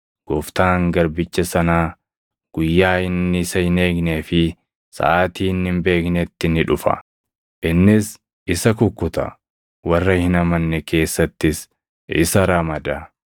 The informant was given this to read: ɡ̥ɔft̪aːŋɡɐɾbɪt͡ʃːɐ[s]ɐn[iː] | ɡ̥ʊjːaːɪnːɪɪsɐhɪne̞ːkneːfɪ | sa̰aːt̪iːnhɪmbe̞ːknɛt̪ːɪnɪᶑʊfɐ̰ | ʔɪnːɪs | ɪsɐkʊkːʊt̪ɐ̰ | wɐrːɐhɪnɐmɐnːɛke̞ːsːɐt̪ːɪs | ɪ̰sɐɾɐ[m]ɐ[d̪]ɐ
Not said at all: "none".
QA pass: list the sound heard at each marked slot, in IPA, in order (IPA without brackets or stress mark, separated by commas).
s, aː, m, d̪